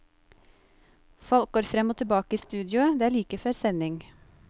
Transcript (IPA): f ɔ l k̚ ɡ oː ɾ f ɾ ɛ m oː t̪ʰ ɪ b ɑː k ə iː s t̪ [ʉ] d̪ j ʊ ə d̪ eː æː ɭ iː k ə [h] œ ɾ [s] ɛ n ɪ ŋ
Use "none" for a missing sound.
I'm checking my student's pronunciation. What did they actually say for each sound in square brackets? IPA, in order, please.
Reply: ʉː, f, s

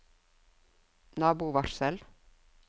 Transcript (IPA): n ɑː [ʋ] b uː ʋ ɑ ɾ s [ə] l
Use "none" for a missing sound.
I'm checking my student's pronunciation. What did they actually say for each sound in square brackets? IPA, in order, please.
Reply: none, ə

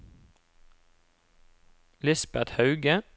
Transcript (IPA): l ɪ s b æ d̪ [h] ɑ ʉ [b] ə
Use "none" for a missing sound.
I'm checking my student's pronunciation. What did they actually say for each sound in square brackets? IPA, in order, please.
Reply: h, ɡ

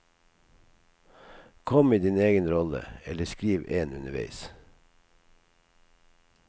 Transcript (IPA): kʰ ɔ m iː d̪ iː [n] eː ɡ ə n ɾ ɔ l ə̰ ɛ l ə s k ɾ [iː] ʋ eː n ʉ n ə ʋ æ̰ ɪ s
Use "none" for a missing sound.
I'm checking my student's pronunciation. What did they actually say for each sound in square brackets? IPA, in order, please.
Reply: n, iː

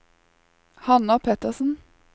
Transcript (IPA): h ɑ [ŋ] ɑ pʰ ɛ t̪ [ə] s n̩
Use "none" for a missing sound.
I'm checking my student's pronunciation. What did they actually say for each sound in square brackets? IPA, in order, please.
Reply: n, ə

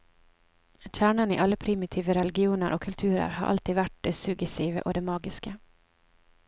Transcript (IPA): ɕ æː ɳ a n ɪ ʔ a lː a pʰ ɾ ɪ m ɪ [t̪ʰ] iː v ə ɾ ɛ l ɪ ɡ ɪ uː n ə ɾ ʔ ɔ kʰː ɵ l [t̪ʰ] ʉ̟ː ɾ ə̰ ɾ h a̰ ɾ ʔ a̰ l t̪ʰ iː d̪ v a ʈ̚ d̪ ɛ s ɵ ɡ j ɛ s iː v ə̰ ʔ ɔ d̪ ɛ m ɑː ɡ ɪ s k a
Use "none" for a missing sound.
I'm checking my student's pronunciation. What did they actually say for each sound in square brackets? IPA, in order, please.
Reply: t̪ʰ, t̪ʰ

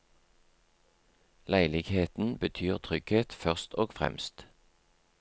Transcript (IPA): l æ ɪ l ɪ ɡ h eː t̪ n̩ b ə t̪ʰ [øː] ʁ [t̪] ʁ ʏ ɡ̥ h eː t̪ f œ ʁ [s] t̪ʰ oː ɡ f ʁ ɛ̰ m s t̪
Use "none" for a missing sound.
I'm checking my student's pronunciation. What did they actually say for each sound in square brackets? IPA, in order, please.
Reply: yː, t̪ʰ, s

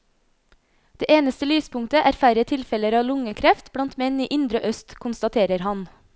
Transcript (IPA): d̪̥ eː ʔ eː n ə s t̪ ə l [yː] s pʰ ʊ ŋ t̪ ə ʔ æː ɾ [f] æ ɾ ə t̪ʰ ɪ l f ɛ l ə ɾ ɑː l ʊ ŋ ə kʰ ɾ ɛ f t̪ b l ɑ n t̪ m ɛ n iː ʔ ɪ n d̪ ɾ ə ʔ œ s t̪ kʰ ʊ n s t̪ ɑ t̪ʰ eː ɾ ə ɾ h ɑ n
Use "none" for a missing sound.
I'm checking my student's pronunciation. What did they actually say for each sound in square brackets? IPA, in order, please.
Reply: yː, f

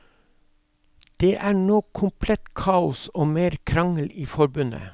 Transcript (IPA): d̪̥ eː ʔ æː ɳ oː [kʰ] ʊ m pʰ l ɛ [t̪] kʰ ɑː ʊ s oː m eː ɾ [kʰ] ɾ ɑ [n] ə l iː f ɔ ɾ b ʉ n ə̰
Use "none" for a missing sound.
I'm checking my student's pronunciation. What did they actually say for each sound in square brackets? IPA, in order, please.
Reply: kʰ, t̪, kʰ, ŋ

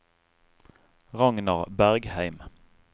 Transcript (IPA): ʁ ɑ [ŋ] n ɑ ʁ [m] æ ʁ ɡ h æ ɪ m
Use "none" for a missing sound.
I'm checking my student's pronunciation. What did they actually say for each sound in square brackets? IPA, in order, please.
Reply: ŋ, b

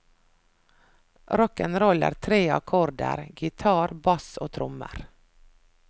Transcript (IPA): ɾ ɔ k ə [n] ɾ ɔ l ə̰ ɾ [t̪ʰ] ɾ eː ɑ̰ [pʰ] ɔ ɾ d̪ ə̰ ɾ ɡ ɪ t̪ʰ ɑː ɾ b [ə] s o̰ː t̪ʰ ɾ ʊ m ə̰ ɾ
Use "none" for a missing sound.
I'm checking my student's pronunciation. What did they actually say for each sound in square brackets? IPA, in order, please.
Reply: n, t̪ʰ, kʰ, ɑ

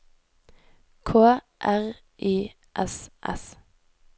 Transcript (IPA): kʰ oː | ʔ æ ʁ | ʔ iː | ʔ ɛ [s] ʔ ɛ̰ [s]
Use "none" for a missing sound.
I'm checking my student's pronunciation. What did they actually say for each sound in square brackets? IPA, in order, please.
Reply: s, s

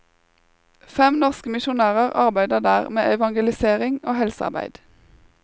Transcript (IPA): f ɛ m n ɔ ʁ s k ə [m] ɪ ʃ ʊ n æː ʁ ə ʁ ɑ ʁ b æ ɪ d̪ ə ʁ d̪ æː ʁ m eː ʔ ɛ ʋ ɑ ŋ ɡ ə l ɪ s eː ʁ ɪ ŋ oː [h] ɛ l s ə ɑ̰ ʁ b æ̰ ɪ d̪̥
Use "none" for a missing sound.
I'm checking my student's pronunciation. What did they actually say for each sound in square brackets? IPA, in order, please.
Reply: m, h

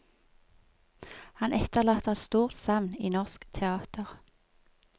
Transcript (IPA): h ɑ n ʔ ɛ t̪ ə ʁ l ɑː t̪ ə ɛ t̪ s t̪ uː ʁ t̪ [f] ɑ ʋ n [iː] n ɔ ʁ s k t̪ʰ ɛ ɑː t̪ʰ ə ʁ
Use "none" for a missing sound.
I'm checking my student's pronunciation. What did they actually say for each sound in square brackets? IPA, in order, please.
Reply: s, iː

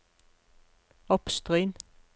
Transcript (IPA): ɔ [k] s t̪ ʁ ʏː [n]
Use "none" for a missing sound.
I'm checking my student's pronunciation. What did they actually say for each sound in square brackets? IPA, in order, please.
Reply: p, n

